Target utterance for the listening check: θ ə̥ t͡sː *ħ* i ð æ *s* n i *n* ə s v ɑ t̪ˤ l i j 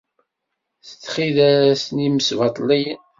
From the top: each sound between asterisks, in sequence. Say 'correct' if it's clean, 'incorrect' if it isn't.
incorrect: χ, correct, incorrect: m

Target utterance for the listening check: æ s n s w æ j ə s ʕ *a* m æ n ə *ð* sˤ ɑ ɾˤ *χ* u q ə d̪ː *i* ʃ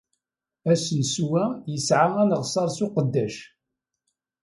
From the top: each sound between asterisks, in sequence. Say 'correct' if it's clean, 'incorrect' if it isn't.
correct, incorrect: ʁ, incorrect: s, incorrect: æ

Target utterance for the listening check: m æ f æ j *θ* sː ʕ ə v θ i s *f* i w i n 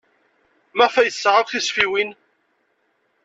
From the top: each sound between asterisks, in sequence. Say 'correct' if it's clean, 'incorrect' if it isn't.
correct, correct

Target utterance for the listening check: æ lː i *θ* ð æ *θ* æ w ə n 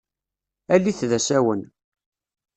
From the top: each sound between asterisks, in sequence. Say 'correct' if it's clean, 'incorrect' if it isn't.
correct, incorrect: s

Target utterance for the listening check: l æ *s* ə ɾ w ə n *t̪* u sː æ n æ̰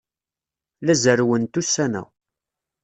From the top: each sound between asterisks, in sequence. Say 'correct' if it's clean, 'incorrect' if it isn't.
incorrect: z, correct

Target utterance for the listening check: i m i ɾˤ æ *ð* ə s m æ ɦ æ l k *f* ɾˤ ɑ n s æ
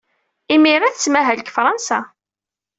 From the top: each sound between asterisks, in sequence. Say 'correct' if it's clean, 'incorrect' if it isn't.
incorrect: θ, correct

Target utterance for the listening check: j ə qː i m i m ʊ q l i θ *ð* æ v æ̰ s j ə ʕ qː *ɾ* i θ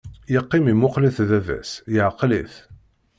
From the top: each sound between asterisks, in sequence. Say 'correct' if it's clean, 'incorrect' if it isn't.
correct, incorrect: l

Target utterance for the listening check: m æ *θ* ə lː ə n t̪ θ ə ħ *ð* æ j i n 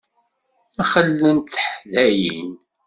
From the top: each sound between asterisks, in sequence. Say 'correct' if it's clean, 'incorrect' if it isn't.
incorrect: χ, correct

